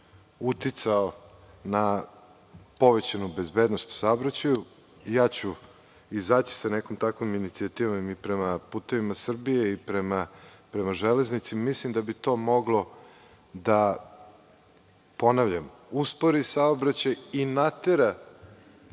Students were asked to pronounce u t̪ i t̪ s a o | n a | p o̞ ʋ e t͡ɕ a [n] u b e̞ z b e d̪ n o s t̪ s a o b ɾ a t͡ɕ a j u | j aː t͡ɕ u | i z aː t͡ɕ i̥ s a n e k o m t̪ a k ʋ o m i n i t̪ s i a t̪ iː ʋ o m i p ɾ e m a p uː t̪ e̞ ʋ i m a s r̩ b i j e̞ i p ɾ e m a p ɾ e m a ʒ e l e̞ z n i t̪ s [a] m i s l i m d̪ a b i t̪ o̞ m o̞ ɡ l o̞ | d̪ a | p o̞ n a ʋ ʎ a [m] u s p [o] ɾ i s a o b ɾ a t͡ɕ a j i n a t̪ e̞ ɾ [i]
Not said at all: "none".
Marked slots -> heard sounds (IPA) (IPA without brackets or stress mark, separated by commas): n, i, m, o, a